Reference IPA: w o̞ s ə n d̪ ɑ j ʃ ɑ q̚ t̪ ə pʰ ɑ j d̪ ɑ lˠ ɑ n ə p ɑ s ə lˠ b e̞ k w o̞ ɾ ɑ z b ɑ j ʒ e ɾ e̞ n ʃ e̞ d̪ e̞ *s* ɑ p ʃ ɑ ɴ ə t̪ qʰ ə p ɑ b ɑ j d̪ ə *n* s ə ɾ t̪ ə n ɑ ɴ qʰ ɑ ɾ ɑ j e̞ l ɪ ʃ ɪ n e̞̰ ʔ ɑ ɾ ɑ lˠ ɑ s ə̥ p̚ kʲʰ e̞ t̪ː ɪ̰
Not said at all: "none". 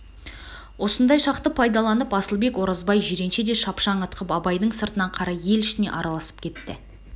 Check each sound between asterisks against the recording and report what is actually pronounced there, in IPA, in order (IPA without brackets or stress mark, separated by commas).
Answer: ʃ, ɴ